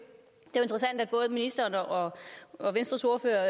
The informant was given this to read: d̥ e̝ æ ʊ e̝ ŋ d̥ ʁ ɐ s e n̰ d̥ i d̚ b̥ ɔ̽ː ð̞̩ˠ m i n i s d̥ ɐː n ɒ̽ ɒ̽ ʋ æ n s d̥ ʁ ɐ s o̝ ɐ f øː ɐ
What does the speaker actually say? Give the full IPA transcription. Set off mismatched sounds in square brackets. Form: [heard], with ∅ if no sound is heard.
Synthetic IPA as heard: d̥ e̝ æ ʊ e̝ [n] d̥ ʁ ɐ s [æ] n̰ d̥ [æ] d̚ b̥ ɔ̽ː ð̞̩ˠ m i n i s d̥ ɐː n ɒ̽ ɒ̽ ʋ [e] n s d̥ ʁ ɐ s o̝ ɐ f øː ɐ